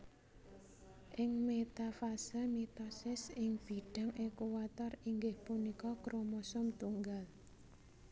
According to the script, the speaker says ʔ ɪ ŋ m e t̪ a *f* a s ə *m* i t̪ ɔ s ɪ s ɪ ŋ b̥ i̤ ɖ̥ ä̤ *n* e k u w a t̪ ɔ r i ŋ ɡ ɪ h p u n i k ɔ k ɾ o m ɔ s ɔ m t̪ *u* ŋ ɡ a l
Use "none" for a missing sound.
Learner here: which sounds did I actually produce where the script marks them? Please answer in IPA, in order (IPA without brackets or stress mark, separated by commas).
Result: f, m, ŋ, u